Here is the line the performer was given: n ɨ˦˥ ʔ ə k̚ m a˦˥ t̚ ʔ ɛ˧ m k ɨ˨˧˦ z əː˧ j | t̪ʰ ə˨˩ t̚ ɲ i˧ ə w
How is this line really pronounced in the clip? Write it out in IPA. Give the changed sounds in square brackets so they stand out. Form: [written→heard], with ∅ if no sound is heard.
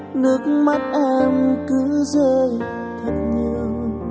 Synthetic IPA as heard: n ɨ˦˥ [ʔ→∅] ə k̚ m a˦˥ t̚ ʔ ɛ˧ m k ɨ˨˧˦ z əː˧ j | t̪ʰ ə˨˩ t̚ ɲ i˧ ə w